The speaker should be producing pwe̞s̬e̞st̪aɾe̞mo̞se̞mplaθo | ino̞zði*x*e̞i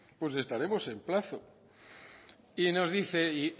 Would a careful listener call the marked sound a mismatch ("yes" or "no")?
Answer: yes